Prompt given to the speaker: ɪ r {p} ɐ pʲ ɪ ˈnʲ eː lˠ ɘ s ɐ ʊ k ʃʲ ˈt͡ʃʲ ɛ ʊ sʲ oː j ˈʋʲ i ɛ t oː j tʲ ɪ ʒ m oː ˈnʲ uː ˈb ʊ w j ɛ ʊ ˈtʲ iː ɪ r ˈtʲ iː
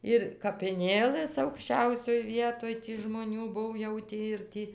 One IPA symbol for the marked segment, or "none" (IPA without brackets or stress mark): k